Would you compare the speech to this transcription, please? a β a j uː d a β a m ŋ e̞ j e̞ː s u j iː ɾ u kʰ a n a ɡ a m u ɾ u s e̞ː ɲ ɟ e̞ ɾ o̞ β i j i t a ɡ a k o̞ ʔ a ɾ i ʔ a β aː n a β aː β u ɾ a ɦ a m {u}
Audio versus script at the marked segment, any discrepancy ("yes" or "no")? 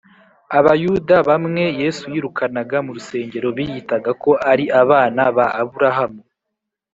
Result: no